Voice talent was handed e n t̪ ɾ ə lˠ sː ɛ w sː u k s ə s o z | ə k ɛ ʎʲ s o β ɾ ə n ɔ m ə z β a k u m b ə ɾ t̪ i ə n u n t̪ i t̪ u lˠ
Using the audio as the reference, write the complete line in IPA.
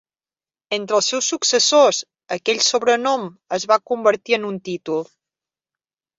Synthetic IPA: e n t̪ ɾ ə lˠ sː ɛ w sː u k s ə s o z | ə k ɛ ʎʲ s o β ɾ ə n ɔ m ə z β a k u m b ə ɾ t̪ i ə n u n t̪ i t̪ u lˠ